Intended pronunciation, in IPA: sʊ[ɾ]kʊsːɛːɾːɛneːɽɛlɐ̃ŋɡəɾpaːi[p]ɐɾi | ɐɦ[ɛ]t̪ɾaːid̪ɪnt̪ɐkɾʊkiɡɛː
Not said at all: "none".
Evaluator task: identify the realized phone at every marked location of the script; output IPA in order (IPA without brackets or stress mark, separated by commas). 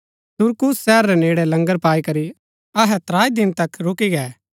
ɾ, k, ɛ